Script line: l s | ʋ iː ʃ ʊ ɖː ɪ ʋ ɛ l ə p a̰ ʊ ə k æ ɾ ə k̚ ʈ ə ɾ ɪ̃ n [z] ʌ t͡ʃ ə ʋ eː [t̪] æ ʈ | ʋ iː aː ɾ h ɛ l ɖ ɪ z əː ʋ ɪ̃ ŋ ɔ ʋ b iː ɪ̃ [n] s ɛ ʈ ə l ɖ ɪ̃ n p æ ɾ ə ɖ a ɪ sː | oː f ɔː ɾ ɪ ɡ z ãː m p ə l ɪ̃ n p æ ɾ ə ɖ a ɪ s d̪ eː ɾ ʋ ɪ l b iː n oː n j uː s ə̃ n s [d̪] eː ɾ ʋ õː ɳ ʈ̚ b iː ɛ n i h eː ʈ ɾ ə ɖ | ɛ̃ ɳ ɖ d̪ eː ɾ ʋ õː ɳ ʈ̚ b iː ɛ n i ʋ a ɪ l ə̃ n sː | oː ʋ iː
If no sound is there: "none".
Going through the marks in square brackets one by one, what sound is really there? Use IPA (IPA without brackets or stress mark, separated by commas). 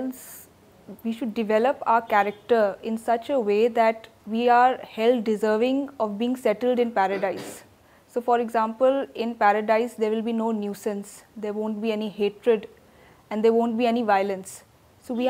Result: s, d̪, ŋ, d̪